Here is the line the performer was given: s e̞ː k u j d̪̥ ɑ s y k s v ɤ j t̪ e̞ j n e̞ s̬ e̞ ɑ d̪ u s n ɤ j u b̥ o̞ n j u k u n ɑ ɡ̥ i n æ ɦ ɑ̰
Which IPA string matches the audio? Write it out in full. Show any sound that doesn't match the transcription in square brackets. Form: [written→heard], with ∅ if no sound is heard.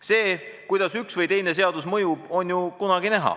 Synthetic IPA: s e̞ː k u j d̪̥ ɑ s y k s v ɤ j t̪ e̞ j n e̞ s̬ e̞ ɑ d̪ u s [n→m] ɤ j u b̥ o̞ n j u k u n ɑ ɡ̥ i n æ ɦ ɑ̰